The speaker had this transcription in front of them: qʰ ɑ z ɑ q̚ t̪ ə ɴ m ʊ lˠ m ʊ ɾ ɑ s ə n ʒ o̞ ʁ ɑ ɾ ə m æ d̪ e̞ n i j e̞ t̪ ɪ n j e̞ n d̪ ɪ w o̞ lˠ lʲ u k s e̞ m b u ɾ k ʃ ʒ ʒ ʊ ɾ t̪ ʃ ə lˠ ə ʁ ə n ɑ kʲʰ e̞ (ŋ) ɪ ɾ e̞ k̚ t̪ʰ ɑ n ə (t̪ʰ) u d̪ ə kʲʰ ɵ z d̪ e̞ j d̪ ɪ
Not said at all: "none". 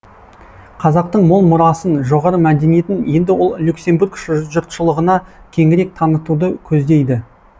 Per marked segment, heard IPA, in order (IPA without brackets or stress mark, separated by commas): ŋ, t̪